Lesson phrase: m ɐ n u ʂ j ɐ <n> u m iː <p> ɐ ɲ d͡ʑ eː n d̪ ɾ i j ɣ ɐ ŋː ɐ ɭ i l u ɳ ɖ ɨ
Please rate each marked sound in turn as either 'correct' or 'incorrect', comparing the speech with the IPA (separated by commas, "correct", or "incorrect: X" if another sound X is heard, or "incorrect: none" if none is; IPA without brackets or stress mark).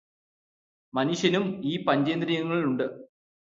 correct, correct